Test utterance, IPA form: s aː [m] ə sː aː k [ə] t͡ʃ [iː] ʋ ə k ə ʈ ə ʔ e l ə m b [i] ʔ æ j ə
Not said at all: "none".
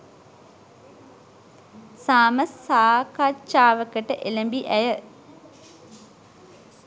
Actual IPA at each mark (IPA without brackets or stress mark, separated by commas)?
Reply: m, a, aː, i